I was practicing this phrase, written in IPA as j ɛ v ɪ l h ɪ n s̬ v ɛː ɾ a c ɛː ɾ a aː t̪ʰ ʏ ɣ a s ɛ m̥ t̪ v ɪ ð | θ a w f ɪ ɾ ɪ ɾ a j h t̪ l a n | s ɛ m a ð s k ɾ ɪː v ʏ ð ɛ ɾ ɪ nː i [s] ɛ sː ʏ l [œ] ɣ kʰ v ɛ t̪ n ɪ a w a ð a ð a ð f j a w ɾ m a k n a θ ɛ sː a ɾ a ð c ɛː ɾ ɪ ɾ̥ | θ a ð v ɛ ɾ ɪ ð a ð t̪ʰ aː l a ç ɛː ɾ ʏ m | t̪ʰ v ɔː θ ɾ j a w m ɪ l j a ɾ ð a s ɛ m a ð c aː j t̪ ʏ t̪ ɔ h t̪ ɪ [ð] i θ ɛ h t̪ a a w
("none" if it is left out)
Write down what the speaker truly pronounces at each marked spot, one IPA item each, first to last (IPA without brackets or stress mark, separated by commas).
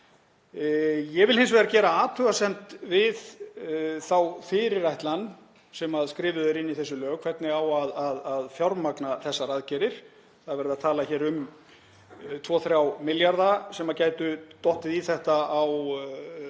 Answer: θ, œː, ð